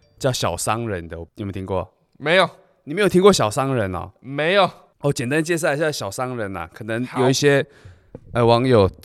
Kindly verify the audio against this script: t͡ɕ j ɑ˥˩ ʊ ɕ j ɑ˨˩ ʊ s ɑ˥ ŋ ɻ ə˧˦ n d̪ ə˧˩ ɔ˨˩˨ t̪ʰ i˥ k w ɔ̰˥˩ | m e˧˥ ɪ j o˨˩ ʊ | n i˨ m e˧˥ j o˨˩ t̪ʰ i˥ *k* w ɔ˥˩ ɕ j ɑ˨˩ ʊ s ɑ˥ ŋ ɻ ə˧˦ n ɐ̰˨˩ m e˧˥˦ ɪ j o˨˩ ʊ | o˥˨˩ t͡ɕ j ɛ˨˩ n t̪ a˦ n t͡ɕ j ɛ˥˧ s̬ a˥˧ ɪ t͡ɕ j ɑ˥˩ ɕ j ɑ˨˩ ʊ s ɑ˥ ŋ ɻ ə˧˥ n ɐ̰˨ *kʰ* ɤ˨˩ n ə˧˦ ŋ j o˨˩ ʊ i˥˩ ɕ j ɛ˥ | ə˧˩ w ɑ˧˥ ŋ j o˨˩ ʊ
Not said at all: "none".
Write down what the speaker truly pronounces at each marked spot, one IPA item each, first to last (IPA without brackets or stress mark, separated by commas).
k, kʰ